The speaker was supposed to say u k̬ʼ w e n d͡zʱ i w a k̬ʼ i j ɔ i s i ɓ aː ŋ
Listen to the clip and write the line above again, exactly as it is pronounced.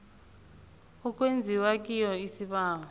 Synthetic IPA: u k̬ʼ w e n d͡zʱ i w a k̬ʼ i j ɔ i s i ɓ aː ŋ